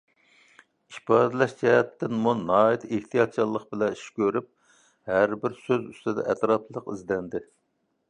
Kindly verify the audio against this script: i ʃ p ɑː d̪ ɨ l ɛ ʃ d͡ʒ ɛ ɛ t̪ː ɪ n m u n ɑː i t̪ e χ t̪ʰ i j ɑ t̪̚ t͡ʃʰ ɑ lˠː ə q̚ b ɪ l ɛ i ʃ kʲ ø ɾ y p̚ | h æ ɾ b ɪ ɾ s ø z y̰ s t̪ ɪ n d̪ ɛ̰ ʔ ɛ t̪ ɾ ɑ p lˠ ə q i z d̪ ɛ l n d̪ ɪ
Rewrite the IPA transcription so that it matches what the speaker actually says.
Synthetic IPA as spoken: i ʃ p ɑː d̪ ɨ l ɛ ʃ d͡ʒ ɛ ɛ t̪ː ɪ n m u n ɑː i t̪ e h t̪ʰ i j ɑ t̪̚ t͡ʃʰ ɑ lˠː ə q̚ b ɪ l ɛ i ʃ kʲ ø ɾ y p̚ | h æ ɾ b ɪ ɾ s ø z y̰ s t̪ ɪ d̪ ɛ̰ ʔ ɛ t̪ ɾ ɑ p lˠ ə q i z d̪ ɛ n d̪ ɪ